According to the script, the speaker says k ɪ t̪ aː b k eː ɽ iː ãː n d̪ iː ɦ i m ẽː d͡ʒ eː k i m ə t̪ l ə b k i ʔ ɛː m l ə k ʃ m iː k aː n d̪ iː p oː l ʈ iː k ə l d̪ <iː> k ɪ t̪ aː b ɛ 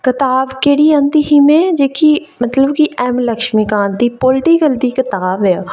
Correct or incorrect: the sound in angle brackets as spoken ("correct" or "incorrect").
correct